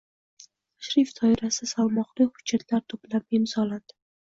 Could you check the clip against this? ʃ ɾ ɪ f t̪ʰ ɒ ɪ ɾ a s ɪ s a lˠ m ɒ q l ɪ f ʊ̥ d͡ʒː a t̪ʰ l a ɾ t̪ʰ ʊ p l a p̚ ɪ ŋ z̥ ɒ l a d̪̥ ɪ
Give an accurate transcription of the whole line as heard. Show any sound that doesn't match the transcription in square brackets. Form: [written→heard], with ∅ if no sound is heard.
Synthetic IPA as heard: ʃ ɾ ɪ f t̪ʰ ɒ ɪ ɾ a s ɪ s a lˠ m ɒ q l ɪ [f→h] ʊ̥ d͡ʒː a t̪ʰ l a ɾ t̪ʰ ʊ p l a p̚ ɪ [ŋ→m] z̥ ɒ l a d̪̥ ɪ